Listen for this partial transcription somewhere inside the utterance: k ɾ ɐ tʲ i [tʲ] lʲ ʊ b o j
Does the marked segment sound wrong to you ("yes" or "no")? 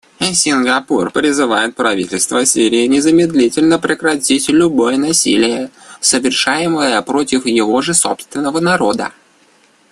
no